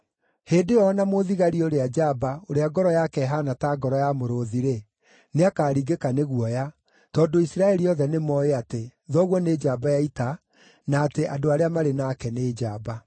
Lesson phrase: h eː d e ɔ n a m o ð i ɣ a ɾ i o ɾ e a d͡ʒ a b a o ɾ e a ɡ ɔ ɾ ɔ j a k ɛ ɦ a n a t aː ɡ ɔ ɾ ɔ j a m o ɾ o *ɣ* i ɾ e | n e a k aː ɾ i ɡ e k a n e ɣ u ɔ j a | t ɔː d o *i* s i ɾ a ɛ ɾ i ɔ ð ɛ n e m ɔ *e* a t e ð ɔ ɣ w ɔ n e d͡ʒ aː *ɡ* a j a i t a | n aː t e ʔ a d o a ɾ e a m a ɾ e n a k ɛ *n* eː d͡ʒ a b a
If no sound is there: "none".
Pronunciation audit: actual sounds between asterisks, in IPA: ð, i, e, b, n

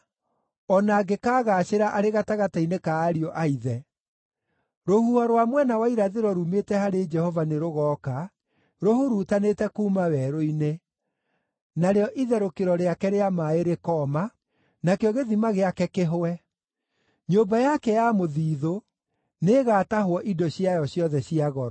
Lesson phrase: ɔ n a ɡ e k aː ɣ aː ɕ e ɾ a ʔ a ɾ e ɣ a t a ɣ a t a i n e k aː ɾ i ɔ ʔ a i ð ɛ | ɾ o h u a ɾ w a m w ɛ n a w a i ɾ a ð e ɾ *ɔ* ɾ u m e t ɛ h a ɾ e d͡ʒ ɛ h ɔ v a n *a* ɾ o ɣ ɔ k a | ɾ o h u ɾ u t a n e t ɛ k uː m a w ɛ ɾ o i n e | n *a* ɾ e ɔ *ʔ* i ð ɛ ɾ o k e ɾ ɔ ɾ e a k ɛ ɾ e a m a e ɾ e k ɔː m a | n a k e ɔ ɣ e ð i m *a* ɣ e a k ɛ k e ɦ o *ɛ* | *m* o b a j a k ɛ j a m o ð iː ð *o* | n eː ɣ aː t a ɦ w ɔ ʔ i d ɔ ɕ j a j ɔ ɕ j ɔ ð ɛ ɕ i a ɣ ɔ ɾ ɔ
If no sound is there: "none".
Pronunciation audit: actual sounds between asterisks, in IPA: ɔ, e, a, ʔ, a, ɛ, ɲ, o

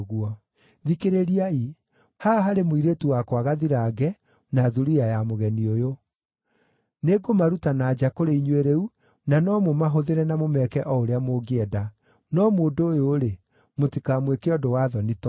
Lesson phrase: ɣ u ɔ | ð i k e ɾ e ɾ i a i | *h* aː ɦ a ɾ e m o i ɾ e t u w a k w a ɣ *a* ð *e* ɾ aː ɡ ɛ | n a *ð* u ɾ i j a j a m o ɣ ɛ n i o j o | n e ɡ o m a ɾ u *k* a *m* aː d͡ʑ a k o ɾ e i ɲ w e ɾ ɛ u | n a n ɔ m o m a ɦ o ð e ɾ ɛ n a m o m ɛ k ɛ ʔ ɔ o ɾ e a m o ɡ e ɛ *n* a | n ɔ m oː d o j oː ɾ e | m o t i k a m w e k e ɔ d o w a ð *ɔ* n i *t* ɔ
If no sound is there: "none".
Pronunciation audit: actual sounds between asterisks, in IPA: h, a, i, ð, t, n, d, ɔ, t

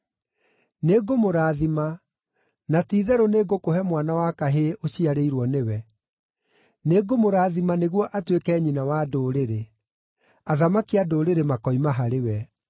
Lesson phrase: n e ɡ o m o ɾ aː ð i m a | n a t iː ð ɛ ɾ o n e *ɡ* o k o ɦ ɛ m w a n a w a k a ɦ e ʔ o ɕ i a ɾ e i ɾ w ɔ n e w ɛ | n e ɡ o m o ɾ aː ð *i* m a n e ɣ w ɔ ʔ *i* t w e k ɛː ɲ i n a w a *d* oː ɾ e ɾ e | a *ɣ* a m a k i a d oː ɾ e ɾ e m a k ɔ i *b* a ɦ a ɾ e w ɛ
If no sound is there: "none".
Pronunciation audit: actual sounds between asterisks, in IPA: ɡ, i, a, d, ð, m

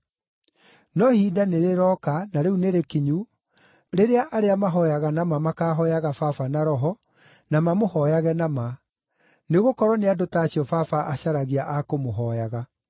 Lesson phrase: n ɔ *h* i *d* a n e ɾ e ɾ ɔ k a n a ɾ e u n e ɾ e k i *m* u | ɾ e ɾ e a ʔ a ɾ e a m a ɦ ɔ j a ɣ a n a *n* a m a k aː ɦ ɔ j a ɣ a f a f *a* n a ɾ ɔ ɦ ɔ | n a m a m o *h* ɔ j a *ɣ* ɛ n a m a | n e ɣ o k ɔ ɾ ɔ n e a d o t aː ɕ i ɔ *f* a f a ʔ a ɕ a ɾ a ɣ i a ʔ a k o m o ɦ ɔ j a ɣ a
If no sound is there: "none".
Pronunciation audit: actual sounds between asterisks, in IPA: h, d, ɲ, m, a, h, ɣ, f

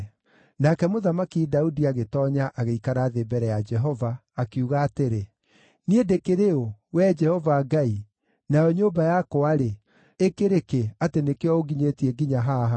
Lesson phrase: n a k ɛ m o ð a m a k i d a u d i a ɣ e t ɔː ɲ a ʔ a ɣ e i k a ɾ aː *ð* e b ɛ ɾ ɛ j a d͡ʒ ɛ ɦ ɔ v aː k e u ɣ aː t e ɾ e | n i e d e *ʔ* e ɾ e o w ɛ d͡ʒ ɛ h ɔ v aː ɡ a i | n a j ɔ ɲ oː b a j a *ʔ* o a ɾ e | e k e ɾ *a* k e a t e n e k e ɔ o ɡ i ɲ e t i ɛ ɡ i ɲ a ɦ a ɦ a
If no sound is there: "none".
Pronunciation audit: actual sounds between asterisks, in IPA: ð, k, k, e

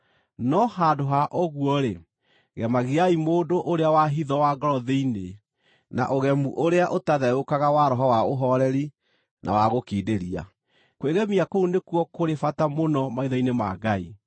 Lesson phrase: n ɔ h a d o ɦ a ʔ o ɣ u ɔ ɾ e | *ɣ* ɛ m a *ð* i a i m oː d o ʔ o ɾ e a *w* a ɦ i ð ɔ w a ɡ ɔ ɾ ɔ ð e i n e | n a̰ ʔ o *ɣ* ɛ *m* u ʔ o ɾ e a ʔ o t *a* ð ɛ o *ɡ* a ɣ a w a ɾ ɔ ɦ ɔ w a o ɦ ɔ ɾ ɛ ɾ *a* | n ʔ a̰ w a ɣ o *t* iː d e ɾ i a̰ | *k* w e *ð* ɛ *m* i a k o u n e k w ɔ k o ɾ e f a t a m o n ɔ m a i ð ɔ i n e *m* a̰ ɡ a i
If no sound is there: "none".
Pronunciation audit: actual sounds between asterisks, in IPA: ɣ, ɣ, w, ɣ, m, a, k, i, k, k, ɣ, m, m

